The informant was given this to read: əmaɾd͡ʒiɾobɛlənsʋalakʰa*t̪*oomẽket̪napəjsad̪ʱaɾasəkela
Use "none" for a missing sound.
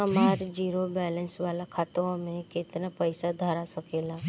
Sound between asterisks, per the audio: t̪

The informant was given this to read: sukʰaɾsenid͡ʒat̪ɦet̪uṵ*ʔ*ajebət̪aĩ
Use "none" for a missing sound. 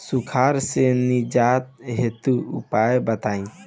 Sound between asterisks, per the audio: p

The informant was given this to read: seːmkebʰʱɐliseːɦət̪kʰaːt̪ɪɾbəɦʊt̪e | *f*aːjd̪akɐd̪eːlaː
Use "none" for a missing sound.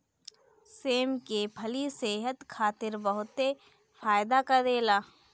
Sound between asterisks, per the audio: f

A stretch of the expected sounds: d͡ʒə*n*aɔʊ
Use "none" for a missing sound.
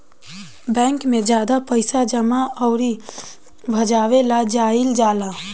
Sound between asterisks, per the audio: m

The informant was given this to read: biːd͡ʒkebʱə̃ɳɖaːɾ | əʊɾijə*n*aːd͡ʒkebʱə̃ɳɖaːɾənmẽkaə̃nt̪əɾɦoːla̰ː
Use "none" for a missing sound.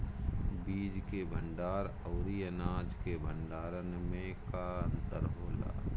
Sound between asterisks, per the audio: n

